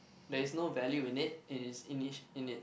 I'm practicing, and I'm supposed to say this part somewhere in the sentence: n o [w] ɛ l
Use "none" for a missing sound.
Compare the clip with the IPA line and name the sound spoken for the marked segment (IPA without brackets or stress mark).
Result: v